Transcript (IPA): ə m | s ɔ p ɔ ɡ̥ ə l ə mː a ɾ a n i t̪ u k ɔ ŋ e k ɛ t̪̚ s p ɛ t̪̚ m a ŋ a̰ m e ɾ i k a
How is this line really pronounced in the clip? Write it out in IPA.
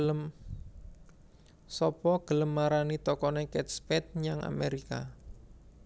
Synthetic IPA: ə m | s ɔ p ɔ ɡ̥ ə l ə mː a ɾ a n i t̪ ɔ k ɔ n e k ɛ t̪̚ s p ɛ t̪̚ ɲ a ŋ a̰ m e ɾ i k a